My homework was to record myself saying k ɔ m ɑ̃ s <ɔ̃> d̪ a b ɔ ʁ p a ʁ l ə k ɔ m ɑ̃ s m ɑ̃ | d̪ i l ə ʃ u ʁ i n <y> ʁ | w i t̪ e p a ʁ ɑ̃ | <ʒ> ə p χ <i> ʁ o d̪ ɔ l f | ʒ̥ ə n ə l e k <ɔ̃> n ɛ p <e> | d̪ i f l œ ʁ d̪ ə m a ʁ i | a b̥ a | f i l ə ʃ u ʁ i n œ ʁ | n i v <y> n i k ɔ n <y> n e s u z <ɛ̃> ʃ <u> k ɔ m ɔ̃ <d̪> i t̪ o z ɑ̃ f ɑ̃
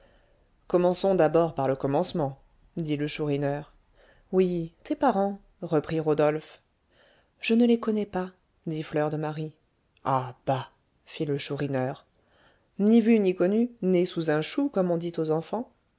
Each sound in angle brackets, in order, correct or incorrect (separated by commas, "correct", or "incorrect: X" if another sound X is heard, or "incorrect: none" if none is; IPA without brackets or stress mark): correct, incorrect: œ, incorrect: ʁ, correct, incorrect: ɔ, incorrect: a, correct, correct, correct, correct, correct